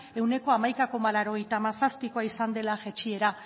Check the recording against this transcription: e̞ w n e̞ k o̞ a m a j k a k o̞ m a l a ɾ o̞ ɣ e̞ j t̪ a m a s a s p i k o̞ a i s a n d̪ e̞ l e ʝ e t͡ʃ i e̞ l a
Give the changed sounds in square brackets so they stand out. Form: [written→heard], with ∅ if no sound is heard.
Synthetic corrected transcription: e̞ w n e̞ k o̞ a m a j k a k o̞ m a l a ɾ o̞ ɣ e̞ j t̪ a m a s a s p i k o̞ a i s a n d̪ e̞ l [e→a] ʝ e t͡ʃ i e̞ [l→ɾ] a